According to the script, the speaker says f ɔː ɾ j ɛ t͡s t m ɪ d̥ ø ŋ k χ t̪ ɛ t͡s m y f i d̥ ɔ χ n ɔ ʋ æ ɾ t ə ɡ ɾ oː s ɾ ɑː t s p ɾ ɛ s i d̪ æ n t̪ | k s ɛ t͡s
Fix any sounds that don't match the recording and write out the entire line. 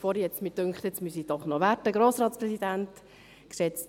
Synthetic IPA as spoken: f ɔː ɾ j ɛ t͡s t m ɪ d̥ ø ŋ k χ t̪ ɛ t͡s m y s i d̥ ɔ χ n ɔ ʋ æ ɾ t ə ɡ ɾ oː s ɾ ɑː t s p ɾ ɛ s i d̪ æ n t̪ | k s ɛ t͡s